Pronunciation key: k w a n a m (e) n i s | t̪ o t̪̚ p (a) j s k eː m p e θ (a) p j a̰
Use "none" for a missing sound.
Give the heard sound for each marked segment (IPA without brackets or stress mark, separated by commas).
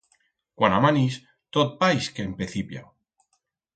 a, a, i